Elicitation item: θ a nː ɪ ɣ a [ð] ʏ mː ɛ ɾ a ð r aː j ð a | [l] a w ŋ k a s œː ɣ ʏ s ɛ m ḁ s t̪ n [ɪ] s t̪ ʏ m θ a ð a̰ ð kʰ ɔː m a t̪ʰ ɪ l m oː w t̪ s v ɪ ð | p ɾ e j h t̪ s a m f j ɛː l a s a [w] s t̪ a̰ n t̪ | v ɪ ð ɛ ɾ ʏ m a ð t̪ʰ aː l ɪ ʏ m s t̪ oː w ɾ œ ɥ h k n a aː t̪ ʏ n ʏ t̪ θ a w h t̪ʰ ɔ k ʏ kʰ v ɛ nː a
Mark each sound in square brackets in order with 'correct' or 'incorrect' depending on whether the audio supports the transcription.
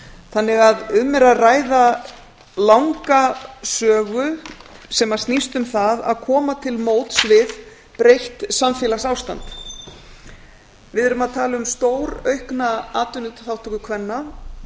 correct, correct, incorrect: i, correct

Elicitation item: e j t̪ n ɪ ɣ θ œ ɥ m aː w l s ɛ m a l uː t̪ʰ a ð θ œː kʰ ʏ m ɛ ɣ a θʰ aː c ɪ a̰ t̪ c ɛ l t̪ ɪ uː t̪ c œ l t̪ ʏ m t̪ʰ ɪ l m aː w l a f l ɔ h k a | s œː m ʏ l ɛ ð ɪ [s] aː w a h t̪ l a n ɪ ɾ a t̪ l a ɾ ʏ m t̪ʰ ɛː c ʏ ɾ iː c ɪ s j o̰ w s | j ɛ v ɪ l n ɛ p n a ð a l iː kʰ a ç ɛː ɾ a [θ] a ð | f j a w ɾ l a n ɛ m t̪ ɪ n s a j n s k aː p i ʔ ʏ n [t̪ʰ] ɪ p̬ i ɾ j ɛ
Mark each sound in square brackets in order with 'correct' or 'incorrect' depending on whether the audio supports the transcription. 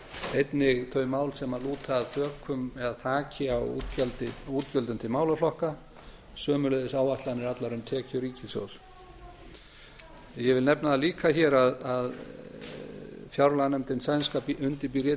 correct, incorrect: ð, incorrect: t̪

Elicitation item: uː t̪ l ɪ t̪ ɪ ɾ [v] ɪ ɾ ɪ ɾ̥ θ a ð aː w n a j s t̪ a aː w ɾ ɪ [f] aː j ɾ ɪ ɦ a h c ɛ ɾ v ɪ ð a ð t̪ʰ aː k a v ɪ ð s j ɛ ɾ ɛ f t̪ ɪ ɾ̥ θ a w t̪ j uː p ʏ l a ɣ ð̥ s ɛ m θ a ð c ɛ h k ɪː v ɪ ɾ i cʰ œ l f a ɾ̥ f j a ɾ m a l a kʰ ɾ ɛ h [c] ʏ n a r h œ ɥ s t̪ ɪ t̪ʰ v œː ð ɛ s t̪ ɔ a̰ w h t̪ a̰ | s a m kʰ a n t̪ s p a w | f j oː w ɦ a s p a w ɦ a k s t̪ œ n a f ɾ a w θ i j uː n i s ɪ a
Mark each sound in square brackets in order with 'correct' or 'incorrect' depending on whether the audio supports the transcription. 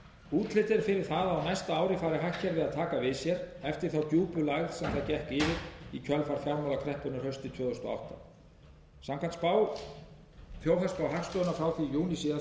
incorrect: f, correct, incorrect: p

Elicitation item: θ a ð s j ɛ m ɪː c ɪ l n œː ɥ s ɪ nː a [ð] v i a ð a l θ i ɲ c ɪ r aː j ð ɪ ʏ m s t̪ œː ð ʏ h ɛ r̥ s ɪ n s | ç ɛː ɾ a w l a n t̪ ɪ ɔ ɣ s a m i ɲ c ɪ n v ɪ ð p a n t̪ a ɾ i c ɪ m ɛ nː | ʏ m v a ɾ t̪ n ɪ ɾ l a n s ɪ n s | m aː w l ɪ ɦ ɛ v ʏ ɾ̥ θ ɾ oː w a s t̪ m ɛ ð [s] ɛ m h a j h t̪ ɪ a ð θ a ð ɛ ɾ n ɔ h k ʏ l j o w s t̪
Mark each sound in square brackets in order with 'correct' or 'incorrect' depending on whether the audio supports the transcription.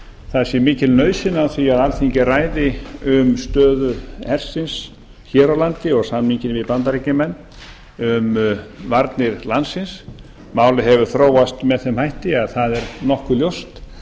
incorrect: θ, incorrect: θ

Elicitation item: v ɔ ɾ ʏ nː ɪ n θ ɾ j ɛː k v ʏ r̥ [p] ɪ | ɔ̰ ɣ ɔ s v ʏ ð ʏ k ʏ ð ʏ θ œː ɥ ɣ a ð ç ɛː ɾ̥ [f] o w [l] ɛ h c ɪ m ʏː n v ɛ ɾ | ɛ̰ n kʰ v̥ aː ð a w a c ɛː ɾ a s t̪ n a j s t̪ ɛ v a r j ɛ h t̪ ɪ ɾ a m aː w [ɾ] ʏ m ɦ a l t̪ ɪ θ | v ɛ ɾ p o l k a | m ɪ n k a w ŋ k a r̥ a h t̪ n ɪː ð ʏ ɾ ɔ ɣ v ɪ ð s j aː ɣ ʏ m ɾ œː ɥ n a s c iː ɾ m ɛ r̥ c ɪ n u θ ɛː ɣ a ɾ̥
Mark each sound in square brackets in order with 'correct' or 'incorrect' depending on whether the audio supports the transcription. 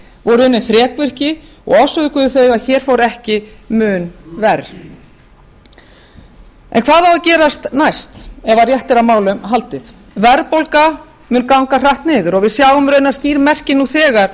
incorrect: c, correct, incorrect: ɾ, incorrect: l

